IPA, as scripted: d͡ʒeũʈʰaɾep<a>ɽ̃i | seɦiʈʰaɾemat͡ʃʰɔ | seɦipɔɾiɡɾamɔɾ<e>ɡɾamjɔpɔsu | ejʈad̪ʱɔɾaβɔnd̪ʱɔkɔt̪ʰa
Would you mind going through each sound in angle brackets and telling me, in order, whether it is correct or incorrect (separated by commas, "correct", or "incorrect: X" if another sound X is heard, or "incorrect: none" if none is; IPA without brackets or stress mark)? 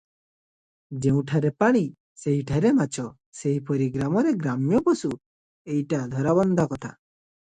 correct, correct